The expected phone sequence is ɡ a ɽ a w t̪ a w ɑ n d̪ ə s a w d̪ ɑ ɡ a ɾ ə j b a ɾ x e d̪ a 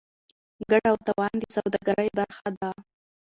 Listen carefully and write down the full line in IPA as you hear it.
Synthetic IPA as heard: ɡ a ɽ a w t̪ a w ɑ n d̪ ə s a w d̪ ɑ ɡ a ɾ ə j b a ɾ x a d̪ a